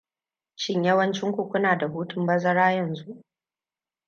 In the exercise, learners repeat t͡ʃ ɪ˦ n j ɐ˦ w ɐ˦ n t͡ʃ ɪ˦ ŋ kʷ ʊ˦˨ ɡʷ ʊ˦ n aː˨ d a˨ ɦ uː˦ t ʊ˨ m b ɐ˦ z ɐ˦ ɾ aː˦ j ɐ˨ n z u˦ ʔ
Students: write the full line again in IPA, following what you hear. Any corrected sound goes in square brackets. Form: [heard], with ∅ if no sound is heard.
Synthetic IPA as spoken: t͡ʃ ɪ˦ [ɲ] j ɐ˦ w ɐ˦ n t͡ʃ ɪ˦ ŋ kʷ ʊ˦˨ [kʷ] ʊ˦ n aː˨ d a˨ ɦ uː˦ t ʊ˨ m b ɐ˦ z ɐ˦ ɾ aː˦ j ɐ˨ n z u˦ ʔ